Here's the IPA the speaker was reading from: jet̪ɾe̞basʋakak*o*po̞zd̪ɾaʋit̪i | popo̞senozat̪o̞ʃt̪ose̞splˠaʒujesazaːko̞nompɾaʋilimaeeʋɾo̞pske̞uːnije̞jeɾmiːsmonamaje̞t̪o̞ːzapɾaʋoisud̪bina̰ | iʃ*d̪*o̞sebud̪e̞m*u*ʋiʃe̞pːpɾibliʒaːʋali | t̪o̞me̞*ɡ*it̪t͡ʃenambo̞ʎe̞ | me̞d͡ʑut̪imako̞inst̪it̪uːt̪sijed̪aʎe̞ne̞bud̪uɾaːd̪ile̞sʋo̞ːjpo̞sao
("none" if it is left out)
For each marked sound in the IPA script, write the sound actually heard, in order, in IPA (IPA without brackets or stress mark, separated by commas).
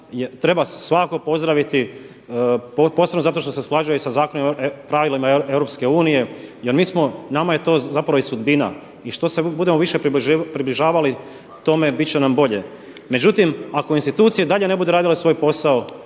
o, t̪, o, b